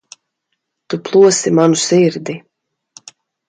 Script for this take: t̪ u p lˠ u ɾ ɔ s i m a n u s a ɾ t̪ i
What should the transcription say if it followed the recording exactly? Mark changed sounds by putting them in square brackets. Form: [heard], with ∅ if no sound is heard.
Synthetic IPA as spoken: t̪ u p lˠ u [∅] ɔ s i m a n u s [i] ɾ [d̪] i